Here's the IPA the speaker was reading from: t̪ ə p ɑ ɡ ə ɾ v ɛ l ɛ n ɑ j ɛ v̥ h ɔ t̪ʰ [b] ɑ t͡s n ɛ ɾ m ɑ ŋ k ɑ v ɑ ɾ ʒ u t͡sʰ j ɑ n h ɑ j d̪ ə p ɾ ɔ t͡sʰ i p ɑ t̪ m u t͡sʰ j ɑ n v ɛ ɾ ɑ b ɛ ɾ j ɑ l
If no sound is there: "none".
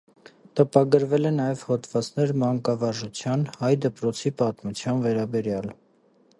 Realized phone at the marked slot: v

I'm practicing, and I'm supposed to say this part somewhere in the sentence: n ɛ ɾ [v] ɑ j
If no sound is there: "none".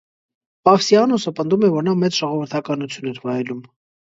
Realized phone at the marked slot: v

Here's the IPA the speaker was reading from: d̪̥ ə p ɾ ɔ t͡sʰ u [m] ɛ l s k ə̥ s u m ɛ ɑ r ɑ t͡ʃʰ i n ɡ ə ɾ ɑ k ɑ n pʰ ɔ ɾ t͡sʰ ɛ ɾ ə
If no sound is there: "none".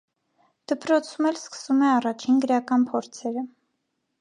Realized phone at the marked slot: m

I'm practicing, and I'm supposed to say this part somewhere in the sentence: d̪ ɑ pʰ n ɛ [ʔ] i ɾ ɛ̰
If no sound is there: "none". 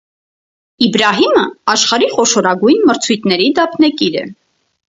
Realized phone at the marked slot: k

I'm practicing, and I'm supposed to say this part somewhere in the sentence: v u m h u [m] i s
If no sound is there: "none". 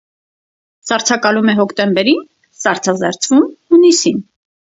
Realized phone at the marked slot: n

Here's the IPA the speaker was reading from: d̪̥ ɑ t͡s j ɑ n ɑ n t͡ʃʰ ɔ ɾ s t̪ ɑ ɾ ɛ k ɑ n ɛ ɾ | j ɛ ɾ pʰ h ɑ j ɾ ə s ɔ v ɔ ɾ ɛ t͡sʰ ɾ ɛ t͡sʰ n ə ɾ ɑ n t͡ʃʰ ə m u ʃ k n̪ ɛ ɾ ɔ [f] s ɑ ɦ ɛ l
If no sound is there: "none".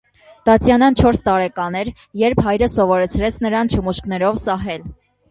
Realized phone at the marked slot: v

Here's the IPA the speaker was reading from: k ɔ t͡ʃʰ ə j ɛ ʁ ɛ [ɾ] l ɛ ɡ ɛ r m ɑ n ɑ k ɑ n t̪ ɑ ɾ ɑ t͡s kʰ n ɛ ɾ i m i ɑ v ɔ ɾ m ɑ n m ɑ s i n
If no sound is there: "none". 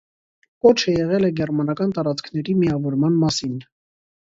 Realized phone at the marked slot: none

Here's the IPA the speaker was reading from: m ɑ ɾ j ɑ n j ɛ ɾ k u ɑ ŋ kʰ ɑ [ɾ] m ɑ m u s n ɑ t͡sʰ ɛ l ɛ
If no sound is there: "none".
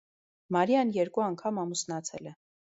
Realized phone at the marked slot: none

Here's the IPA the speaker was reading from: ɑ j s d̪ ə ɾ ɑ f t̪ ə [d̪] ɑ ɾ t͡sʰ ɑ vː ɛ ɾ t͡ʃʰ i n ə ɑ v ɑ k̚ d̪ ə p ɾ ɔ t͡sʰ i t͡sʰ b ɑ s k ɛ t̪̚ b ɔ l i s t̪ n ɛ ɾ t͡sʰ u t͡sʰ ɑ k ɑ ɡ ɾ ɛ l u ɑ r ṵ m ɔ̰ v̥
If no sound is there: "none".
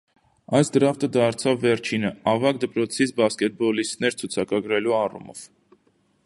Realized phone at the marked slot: d̪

